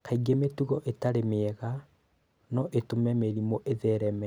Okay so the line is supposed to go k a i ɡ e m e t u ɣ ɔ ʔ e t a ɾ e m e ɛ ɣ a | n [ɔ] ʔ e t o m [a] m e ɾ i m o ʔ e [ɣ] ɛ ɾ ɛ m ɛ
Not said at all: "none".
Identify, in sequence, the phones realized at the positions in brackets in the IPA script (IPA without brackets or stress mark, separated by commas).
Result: ɔ, ɛ, ð